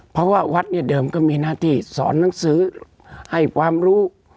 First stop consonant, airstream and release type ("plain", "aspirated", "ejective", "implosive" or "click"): aspirated